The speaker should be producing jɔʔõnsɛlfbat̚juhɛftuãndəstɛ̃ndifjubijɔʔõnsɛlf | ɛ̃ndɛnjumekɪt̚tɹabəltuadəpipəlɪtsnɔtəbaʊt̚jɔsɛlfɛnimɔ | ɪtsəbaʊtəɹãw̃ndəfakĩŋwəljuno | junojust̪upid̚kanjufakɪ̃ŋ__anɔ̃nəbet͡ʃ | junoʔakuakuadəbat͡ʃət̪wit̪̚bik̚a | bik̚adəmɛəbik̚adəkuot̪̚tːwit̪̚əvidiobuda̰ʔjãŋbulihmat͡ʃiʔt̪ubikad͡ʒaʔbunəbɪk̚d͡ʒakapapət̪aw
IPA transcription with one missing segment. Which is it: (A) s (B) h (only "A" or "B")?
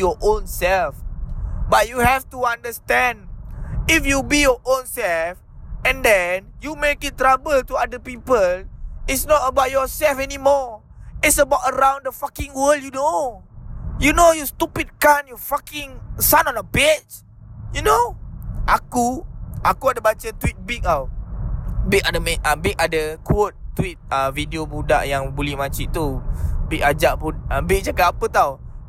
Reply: A